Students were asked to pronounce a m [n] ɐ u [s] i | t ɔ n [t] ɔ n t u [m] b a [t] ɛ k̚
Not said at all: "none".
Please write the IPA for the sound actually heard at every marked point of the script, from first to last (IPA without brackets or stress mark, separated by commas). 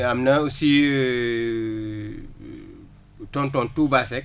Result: n, s, t, none, s